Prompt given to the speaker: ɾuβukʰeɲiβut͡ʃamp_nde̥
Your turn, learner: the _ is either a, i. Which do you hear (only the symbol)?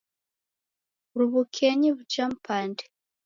a